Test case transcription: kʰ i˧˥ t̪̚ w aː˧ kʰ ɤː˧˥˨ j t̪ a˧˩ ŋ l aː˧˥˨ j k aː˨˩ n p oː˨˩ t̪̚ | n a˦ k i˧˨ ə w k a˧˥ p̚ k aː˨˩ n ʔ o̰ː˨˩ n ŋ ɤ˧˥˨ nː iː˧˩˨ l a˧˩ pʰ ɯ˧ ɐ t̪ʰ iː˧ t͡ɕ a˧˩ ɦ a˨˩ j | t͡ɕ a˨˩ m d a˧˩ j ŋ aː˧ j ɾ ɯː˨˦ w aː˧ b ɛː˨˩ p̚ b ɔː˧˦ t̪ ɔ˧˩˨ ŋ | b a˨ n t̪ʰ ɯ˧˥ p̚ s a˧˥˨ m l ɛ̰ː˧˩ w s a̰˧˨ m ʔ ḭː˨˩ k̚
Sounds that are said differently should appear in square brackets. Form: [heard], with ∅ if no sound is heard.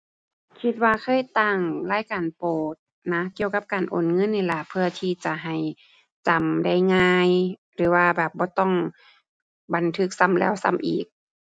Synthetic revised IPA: kʰ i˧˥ t̪̚ w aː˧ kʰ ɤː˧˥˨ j t̪ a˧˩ ŋ l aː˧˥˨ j k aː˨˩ n p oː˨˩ t̪̚ | n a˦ k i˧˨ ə w k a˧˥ p̚ k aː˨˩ n ʔ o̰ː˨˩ n ŋ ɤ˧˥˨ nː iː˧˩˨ l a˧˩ pʰ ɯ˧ ɐ t̪ʰ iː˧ t͡ɕ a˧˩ ɦ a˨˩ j | t͡ɕ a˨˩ m d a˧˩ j ŋ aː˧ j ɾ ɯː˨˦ w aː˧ b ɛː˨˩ p̚ b ɔː˧˦ t̪ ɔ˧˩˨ ŋ | b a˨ n t̪ʰ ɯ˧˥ [k̚] s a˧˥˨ m l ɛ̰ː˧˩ w s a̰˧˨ m ʔ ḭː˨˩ k̚

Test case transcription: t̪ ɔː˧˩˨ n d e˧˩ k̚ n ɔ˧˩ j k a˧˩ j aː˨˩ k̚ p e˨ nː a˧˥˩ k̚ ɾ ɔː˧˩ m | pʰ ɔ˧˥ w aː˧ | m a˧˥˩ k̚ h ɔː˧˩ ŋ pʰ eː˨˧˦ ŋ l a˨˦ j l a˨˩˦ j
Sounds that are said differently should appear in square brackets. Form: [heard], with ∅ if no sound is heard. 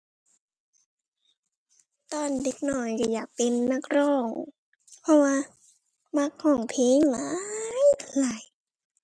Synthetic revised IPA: t̪ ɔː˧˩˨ n d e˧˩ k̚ n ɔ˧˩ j k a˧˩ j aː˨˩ k̚ p e˨ nː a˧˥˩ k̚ ɾ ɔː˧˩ [ŋ] | pʰ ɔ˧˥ w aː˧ | m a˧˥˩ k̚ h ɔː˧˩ ŋ pʰ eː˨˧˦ ŋ l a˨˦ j l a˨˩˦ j

